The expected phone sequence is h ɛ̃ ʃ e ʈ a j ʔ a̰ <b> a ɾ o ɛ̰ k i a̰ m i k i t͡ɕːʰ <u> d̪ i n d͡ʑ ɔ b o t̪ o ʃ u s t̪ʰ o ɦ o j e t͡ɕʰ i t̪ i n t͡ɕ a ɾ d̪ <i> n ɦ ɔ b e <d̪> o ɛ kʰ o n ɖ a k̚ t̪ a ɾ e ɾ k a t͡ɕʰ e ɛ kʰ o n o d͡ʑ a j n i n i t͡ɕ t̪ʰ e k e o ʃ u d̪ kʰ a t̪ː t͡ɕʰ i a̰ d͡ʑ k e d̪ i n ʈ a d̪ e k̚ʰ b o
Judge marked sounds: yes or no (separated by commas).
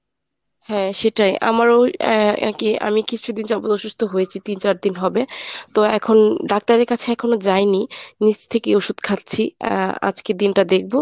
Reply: no, yes, yes, no